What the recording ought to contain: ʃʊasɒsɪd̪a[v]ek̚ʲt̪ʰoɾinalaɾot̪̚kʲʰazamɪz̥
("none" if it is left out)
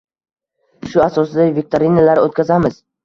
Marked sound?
v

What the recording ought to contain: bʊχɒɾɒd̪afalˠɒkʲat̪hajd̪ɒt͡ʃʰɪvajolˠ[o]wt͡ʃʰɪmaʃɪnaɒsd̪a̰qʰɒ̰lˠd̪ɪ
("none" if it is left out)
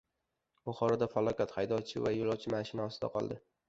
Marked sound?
ɒ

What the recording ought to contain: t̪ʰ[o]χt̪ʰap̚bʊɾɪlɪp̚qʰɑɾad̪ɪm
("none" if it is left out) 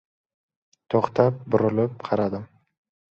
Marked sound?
o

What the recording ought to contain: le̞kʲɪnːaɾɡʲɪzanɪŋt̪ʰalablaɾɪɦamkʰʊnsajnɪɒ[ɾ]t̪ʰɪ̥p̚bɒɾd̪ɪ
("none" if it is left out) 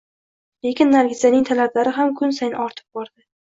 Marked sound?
ɾ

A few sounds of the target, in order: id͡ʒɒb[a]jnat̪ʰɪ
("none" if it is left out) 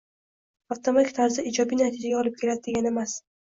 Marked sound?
i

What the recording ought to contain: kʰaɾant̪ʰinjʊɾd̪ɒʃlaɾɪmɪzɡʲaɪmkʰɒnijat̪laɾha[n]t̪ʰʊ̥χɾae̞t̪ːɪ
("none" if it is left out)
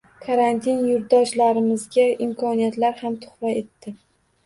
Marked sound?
m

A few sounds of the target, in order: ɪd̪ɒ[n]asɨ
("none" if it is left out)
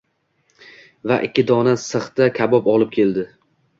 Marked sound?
n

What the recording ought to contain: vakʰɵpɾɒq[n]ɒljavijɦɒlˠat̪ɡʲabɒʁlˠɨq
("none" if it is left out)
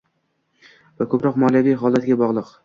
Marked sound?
m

